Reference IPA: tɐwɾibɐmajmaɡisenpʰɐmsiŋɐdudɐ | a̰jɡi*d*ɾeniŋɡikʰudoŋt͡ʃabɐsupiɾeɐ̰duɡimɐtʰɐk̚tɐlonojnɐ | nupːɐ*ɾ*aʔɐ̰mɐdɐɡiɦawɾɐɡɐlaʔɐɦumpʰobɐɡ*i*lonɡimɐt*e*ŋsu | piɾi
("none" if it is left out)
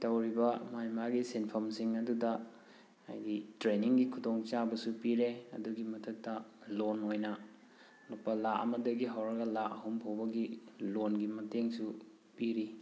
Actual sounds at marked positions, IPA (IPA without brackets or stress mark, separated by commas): t, l, i, e